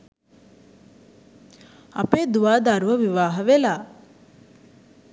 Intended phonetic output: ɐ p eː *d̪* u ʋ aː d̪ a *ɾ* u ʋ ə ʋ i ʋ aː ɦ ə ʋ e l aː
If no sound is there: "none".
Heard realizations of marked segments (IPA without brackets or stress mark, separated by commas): d̪, ɾ